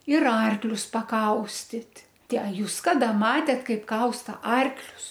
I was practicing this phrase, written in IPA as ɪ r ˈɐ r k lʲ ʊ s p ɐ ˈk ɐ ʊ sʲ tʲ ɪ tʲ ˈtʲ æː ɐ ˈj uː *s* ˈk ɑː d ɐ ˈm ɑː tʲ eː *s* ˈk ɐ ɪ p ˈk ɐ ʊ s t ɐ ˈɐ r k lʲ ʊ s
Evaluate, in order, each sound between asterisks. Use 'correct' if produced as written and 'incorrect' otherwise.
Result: correct, incorrect

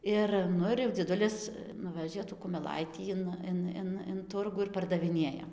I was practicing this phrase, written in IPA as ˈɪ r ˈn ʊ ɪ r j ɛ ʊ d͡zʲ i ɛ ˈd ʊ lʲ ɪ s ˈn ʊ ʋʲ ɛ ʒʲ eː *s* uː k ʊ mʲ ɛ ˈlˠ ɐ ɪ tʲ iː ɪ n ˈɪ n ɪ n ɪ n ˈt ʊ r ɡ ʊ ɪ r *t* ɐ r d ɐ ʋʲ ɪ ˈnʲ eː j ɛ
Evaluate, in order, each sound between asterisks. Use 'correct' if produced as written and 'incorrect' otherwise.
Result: incorrect, incorrect

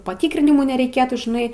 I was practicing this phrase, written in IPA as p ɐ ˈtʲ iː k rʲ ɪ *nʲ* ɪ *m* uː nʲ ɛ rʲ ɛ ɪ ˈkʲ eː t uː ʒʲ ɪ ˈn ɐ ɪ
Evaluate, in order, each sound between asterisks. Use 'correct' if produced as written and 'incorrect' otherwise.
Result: correct, correct

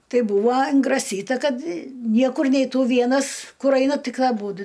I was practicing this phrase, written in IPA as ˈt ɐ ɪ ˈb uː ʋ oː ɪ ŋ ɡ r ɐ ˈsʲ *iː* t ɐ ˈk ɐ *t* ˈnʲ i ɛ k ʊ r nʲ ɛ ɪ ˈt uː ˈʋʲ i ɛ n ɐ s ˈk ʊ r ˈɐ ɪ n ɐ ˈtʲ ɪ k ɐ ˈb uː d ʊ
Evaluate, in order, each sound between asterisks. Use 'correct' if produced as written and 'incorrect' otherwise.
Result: correct, correct

